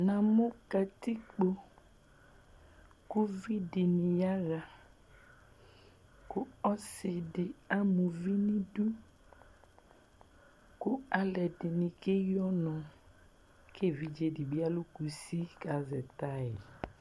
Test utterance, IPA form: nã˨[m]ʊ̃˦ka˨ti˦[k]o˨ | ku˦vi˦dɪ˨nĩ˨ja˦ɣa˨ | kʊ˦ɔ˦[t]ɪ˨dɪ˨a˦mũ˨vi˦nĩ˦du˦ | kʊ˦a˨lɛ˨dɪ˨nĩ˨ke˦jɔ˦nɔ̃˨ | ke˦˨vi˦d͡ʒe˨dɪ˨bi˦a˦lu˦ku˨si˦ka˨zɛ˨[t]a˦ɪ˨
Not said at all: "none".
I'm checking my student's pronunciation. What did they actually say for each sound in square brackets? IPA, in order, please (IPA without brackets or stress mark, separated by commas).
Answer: m, k͡p, s, t